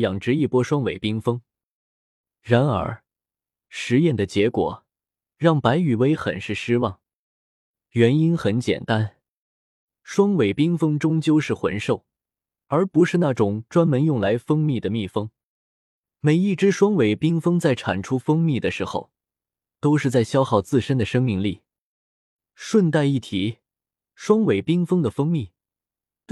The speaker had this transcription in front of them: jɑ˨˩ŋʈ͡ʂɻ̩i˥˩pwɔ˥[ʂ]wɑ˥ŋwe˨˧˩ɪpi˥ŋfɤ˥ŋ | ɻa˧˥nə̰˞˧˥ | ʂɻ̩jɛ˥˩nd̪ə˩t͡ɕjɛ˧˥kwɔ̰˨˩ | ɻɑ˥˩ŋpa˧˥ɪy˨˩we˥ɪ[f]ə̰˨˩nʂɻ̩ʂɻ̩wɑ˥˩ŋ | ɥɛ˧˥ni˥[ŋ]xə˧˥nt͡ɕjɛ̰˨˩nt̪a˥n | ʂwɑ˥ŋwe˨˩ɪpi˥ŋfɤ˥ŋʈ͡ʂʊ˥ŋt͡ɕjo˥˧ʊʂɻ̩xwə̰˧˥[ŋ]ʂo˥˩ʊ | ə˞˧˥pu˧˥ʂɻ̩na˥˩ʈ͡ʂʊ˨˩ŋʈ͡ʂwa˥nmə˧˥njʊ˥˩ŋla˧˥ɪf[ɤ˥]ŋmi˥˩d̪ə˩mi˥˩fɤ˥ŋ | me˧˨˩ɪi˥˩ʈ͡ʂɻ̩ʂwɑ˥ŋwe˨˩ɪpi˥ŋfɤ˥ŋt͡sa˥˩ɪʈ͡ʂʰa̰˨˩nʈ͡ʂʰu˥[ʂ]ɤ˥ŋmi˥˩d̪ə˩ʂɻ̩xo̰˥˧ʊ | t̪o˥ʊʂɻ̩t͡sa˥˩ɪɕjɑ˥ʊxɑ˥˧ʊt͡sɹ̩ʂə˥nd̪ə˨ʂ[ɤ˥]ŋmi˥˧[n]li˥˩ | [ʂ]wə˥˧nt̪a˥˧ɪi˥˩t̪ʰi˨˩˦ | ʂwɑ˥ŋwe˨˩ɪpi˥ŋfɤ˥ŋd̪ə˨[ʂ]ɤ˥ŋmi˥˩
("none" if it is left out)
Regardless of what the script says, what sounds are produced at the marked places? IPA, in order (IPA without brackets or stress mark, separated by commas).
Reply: ʂ, x, n, n, ɤ˥, f, ɤ˥, ŋ, ʂ, f